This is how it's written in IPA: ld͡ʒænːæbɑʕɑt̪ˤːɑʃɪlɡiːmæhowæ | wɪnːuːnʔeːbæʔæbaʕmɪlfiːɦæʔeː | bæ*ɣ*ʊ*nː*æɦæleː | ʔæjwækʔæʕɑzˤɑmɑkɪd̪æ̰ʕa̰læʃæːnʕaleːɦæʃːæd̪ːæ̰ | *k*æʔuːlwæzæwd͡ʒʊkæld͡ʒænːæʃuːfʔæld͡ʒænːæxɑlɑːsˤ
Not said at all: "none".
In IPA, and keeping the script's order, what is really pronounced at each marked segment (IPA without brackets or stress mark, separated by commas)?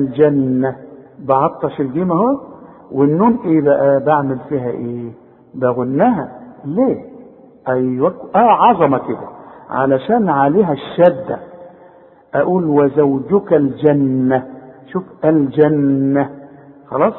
ɣ, nː, ʔ